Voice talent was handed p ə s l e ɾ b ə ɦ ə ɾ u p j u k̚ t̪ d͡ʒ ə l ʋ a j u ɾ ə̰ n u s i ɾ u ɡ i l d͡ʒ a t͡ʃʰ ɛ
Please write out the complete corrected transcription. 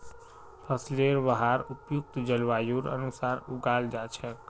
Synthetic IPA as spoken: pʰ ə s l e ɾ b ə ɦ a ɾ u p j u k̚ t̪ d͡ʒ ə l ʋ a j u ɾ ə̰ n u s a ɾ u ɡ a l d͡ʒ a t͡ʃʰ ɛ